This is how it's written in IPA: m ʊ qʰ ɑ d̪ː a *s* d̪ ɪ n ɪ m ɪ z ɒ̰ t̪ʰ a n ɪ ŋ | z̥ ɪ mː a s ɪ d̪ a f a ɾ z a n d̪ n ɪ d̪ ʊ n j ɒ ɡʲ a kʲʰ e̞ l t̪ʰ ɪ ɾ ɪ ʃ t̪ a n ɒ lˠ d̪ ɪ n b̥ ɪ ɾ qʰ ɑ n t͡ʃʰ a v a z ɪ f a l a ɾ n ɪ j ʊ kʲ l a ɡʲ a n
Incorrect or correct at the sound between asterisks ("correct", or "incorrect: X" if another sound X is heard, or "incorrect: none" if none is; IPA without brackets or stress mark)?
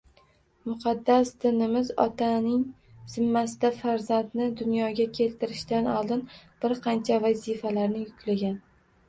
correct